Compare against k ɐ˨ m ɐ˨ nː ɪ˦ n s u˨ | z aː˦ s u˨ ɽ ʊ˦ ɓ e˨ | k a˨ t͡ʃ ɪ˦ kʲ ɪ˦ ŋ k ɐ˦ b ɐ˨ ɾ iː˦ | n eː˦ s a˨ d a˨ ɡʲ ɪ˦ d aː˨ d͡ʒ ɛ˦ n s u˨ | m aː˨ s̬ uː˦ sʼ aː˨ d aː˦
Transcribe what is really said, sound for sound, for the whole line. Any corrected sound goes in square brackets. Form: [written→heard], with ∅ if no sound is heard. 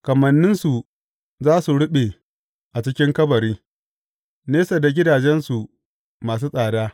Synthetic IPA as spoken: k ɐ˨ m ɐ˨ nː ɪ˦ n s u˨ | z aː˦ s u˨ ɽ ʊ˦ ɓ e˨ | [k→ʔ] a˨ t͡ʃ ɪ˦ kʲ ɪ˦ ŋ k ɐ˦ b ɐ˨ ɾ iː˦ | n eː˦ s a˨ d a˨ ɡʲ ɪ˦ d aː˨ d͡ʒ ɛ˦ n s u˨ | m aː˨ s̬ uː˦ sʼ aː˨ d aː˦